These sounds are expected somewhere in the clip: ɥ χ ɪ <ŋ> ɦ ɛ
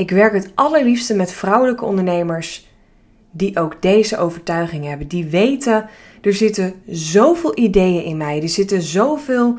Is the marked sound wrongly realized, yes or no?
no